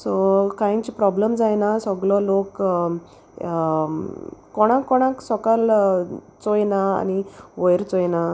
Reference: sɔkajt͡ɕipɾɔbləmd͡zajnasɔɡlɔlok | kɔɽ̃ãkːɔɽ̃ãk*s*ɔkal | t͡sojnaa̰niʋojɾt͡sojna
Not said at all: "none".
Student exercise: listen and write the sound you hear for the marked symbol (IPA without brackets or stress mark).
s